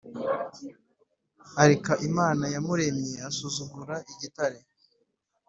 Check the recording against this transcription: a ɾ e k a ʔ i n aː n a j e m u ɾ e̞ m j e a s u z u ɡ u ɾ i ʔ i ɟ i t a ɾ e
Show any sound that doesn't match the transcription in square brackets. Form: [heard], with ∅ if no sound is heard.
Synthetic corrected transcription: a ɾ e k a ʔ i [m] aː n a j [a] m u ɾ e̞ m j e a s u z u ɡ u ɾ [a] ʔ i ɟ i t a ɾ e